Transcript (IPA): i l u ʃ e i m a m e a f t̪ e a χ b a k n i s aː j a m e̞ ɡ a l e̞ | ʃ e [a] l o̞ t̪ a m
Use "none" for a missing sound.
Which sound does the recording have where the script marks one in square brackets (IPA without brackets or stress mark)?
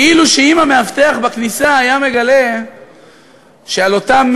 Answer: a